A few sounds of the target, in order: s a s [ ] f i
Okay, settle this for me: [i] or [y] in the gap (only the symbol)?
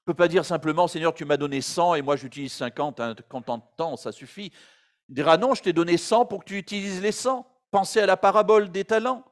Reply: y